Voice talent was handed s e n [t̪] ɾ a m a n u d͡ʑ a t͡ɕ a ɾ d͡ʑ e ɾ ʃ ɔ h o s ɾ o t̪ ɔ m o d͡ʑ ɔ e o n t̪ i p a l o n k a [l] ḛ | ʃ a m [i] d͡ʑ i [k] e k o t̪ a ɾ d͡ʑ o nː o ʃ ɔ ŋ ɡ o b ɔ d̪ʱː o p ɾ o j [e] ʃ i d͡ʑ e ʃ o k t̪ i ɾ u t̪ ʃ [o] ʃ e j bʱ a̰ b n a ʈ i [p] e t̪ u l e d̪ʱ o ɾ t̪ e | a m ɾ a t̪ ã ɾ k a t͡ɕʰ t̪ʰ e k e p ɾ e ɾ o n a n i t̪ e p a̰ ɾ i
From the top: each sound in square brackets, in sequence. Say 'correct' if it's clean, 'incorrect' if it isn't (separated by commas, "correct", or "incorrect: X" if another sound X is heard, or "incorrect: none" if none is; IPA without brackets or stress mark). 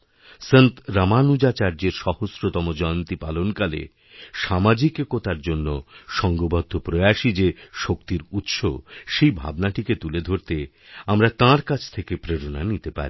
correct, correct, incorrect: a, correct, incorrect: a, correct, incorrect: k